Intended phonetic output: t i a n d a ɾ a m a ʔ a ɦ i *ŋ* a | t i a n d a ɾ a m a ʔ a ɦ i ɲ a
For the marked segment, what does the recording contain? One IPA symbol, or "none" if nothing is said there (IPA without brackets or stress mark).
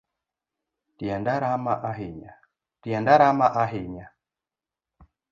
ɲ